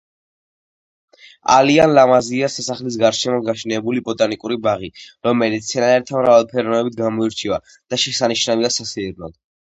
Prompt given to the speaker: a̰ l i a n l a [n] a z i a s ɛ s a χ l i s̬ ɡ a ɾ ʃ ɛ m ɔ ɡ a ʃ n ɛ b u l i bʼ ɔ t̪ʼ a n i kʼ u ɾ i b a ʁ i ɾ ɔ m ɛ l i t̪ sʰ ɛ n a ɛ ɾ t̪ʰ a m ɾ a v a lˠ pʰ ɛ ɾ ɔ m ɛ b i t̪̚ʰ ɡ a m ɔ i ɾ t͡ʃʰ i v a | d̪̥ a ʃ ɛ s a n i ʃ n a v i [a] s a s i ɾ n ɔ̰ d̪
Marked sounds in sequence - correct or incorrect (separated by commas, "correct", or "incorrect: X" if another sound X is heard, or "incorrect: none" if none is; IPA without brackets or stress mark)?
incorrect: m, correct